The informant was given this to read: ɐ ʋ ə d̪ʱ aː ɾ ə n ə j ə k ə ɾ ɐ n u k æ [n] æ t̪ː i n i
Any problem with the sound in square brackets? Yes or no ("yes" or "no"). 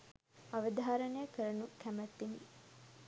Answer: yes